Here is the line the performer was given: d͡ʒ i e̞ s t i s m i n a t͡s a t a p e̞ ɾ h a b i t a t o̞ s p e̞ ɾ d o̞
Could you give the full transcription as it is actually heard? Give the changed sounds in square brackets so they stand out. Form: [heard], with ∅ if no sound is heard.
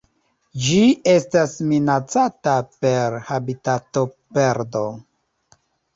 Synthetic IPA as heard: d͡ʒ i e̞ s t [a] s m i n a t͡s a t a p e̞ ɾ h a b i t a t o̞ [∅] p e̞ ɾ d o̞